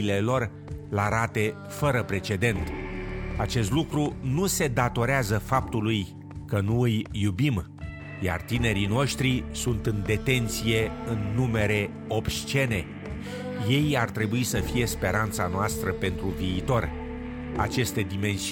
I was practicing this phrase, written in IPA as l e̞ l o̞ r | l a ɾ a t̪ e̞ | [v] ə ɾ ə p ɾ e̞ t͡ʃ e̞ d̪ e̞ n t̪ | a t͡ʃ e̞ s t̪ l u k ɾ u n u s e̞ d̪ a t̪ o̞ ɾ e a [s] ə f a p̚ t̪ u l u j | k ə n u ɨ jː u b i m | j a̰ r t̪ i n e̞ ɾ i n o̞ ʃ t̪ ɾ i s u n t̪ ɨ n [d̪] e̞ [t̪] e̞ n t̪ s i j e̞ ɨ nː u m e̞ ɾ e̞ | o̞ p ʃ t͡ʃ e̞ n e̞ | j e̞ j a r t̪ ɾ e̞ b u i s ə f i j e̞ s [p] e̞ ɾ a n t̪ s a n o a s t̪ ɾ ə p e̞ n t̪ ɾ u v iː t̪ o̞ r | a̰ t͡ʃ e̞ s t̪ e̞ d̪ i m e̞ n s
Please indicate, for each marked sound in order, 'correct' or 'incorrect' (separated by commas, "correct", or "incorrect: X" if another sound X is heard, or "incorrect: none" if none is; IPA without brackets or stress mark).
incorrect: f, incorrect: z, correct, correct, correct